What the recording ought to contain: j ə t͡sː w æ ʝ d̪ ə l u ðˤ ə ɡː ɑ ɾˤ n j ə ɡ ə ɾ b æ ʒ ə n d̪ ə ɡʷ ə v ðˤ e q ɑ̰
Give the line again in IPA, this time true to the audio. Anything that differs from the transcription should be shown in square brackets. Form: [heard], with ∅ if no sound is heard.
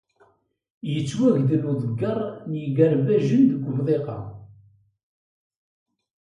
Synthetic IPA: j ə t͡sː w æ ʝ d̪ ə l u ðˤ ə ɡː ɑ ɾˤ n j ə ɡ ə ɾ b æ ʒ ə n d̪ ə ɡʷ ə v ðˤ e q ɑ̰